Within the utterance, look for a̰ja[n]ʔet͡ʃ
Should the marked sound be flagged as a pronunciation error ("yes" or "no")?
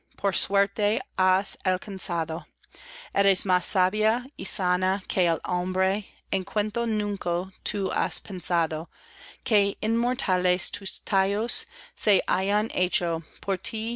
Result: no